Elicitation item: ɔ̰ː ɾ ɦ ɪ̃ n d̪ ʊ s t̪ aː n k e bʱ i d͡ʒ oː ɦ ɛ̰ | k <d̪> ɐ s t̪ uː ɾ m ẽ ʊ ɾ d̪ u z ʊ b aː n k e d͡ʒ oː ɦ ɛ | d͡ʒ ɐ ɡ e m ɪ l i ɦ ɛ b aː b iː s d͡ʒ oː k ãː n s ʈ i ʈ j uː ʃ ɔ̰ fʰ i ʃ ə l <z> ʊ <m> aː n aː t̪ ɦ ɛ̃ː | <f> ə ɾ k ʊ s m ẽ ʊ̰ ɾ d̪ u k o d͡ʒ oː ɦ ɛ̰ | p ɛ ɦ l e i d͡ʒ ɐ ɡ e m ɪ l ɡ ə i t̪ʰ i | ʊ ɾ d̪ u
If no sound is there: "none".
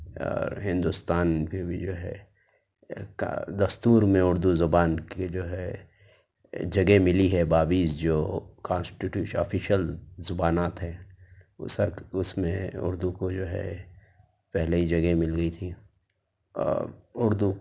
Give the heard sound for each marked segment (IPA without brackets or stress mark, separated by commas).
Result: d̪, z, b, s